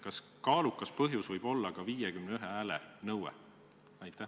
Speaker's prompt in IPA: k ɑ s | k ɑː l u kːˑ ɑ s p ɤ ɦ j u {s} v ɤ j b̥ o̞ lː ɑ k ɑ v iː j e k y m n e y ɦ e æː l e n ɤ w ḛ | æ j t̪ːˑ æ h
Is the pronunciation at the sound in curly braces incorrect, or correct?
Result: correct